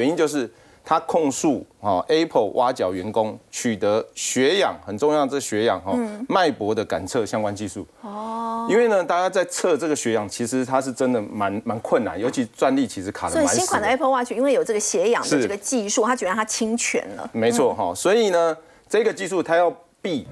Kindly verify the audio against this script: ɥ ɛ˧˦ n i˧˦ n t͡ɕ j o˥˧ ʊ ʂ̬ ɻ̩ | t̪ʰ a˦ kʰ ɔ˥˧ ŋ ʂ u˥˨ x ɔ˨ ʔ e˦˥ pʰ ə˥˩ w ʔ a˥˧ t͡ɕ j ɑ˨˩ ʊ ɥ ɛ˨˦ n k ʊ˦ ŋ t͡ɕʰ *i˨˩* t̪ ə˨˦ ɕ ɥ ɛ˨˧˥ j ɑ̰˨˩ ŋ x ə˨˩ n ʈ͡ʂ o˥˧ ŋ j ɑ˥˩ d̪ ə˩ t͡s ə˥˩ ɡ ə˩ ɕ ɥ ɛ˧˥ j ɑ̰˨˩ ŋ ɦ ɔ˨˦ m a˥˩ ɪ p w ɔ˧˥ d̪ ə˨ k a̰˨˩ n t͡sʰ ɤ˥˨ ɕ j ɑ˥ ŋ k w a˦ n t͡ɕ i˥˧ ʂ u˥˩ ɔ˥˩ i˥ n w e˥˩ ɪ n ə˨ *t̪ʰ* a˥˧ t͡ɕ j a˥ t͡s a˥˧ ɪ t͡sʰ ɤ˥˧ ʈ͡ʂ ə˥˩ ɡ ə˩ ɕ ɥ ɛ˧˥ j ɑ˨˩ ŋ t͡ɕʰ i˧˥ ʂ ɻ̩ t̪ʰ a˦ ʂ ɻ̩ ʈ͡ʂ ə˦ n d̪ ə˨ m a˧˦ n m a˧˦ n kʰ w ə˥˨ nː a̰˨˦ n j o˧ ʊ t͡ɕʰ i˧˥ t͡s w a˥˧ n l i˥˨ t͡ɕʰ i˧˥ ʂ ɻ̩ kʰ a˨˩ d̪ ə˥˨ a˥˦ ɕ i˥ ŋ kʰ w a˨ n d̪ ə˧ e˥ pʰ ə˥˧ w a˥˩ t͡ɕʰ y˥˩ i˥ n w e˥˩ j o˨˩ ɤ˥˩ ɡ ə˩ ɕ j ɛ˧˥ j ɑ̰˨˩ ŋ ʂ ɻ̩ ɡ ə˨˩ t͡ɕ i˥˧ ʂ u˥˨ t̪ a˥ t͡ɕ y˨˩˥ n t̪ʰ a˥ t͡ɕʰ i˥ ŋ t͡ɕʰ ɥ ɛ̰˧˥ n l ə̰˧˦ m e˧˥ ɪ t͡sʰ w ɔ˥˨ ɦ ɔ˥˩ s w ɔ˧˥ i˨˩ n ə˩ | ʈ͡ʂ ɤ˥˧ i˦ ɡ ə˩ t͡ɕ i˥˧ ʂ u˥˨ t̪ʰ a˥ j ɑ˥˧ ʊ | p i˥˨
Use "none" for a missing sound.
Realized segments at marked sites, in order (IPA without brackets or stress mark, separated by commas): y˨˩, t̪